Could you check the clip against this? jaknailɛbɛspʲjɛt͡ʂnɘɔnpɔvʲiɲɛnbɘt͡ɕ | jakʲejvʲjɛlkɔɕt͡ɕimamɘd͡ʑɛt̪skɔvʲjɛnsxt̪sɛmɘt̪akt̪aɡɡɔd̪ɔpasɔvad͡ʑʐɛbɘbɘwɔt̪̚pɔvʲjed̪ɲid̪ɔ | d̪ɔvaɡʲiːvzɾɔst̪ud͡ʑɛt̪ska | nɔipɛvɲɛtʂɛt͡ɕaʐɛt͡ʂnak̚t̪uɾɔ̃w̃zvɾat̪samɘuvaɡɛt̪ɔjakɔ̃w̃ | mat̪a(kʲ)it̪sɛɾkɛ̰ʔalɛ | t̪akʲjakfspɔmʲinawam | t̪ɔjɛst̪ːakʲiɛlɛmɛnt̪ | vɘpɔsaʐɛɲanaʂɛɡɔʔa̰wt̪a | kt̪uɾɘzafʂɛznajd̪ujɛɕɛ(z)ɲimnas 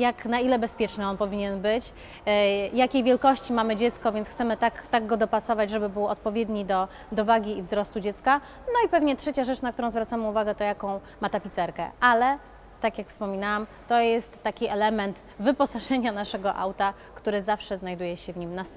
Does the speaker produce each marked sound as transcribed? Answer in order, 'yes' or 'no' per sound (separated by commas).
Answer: no, no